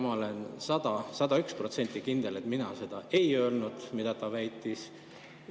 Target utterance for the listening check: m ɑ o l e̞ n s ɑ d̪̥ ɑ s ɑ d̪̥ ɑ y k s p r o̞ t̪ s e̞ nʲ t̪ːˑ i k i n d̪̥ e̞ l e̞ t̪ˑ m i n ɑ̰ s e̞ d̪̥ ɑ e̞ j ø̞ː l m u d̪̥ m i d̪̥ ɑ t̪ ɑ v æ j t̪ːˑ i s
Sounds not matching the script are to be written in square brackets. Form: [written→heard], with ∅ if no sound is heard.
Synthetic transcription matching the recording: m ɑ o l e̞ n s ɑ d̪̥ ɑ s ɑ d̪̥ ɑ y k s p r o̞ t̪ s e̞ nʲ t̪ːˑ i k i n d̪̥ e̞ l e̞ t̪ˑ m i n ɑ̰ s e̞ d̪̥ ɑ e̞ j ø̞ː l [m→n] u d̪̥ m i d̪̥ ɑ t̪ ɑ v æ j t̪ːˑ i s

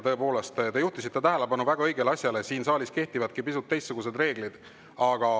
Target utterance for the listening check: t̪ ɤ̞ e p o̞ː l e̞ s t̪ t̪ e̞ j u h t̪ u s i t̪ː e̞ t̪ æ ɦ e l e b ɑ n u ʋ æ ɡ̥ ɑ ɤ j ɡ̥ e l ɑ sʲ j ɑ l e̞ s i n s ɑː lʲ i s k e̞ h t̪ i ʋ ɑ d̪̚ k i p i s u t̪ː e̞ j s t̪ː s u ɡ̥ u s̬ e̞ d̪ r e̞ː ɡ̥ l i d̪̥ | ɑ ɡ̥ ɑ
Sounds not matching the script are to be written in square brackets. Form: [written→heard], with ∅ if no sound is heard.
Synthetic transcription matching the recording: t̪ ɤ̞ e p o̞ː l e̞ s t̪ t̪ e̞ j u h t̪ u s i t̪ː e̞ t̪ æ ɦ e l e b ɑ n u [ʋ→v] æ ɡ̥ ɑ ɤ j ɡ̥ e l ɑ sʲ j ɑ l e̞ s [i→iː] n s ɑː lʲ i s k e̞ h t̪ i [ʋ→v] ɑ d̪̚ k i p i s u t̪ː e̞ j s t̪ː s u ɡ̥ u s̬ e̞ d̪ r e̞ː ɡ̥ l i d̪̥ | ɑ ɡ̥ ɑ

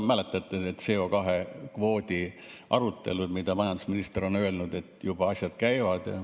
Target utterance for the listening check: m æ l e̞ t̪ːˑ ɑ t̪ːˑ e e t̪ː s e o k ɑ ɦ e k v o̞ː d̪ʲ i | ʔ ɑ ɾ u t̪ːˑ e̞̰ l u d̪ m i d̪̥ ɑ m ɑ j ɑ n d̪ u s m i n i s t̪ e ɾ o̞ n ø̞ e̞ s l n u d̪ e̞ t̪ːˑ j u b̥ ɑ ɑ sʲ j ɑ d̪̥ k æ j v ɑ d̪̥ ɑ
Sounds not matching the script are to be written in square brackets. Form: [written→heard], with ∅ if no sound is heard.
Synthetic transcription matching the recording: m æ l e̞ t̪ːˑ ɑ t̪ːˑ e e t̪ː s e o k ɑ ɦ e k v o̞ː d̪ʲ i | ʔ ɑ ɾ u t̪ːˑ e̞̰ l u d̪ m i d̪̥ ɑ m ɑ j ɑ n d̪ u s m i n i s t̪ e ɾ o̞ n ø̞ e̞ [s→∅] l n u d̪ e̞ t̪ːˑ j u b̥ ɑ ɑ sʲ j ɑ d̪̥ k æ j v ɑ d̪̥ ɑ

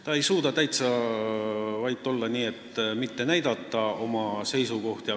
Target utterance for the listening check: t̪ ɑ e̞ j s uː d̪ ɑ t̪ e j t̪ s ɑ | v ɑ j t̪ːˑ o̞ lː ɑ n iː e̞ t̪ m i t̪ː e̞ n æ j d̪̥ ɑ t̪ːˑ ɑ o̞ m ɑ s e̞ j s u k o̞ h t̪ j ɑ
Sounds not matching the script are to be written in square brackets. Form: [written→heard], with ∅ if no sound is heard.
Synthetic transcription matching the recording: t̪ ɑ e̞ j s uː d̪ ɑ t̪ [e→æ] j t̪ s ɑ | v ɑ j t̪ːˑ o̞ lː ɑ n iː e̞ t̪ m i t̪ː e̞ n æ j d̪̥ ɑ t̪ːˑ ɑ o̞ m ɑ s e̞ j s u k o̞ h t̪ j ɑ

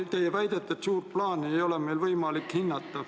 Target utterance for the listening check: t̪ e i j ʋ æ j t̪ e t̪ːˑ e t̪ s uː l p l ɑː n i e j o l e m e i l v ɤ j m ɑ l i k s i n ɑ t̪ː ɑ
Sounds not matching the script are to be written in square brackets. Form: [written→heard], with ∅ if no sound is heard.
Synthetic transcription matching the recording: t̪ e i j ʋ æ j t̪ e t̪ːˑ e t̪ s uː [l→r] p l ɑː n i e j o l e m e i l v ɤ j m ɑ l i k [s→h] i [n→nː] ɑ t̪ː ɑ

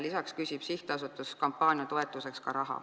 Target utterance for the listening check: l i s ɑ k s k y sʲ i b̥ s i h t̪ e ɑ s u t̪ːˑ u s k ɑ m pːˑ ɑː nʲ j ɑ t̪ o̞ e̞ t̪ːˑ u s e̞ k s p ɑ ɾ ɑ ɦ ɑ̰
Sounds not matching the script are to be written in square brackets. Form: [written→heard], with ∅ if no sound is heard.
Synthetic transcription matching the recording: l i s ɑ k s k y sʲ i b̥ s i h t̪ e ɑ s u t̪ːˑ u s k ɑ m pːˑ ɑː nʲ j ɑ t̪ o̞ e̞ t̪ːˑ u s e̞ k s [p→k] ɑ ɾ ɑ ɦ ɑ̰

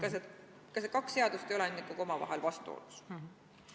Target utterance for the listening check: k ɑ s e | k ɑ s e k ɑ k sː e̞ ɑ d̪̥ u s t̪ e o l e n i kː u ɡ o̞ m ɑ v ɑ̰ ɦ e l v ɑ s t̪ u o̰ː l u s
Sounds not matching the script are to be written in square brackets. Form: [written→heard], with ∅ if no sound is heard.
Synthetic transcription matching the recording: k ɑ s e | k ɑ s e k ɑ k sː e̞ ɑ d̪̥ u s t̪ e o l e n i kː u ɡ o̞ m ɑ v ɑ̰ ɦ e l v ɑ s t̪ u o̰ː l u s

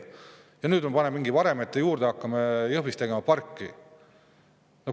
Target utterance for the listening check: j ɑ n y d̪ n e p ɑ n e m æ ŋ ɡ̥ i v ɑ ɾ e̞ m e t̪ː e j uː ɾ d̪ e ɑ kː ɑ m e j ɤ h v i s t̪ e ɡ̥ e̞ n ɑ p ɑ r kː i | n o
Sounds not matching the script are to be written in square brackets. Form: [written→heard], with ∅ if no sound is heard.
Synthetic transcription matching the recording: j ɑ n [y→yː] d̪ [n→m] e p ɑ n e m [æ→i] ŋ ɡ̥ i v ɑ ɾ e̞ m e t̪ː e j uː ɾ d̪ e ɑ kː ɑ m e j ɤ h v i s t̪ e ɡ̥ e̞ [n→m] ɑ p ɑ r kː i | n o

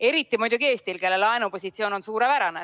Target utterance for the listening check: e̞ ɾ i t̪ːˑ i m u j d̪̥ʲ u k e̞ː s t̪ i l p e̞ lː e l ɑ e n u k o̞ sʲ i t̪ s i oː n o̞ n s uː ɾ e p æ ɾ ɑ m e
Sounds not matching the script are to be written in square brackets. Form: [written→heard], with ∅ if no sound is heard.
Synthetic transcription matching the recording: e̞ ɾ i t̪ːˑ i m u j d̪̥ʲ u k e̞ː s t̪ i l [p→k] e̞ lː e l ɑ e n u [k→p] o̞ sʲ i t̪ s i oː n o̞ n s uː ɾ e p æ ɾ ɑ [m→n] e

